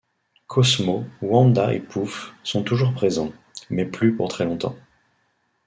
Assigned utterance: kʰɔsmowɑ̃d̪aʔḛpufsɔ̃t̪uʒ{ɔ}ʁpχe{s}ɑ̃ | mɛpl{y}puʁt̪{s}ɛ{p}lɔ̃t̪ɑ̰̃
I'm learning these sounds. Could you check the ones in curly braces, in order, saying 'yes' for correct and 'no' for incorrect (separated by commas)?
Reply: no, no, yes, no, no